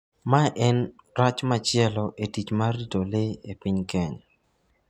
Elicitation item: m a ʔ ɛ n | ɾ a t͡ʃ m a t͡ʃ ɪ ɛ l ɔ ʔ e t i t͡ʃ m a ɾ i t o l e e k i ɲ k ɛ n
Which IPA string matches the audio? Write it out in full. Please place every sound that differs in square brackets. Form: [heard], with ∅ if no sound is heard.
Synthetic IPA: m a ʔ ɛ n | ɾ a t͡ʃ m a t͡ʃ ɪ ɛ l ɔ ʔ e t i t͡ʃ m a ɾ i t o l e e [p] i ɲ k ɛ [ɲ]